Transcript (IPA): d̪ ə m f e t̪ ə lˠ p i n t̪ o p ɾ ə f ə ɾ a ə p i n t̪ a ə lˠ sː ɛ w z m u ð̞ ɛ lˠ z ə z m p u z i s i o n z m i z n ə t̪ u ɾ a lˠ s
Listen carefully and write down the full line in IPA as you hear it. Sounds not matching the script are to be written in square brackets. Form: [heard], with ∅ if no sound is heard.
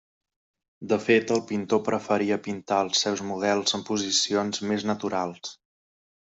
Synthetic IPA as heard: d̪ ə [∅] f e t̪ ə lˠ p i n t̪ o p ɾ ə f ə ɾ [i] ə p i n t̪ a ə lˠ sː ɛ w z m u ð̞ ɛ lˠ z ə [∅] m p u z i s i o n z m [e] z n ə t̪ u ɾ a lˠ s